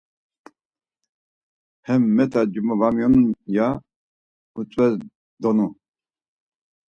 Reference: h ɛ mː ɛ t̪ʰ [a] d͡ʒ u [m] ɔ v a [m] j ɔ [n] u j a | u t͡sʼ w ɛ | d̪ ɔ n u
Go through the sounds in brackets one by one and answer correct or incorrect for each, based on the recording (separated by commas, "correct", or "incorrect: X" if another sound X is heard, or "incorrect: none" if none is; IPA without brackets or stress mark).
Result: correct, correct, correct, correct